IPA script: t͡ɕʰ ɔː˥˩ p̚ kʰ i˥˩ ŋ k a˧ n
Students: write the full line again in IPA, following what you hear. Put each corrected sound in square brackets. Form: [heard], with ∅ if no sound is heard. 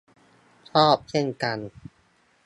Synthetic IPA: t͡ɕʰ ɔː˥˩ p̚ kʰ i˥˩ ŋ k a˧ n